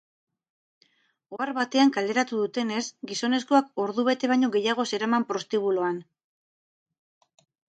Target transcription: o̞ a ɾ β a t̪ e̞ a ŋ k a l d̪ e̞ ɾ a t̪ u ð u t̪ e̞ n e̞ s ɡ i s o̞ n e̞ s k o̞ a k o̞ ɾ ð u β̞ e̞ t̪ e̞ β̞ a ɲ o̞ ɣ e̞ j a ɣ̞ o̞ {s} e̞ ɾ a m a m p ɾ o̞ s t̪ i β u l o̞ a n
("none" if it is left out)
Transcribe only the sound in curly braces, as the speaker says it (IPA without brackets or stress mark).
s